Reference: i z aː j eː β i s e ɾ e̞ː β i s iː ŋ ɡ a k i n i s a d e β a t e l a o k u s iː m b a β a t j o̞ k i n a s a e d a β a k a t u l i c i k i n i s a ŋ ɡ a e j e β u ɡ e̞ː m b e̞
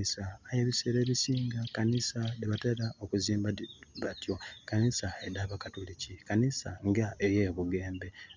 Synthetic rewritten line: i s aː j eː β i s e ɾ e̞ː β i s iː ŋ ɡ a k a n i s a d e β a t e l a o k u z iː m b a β a t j o̞ k a n i s a e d a β a k a t u l i c i k a n i s a ŋ ɡ a e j e β u ɡ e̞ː m b e̞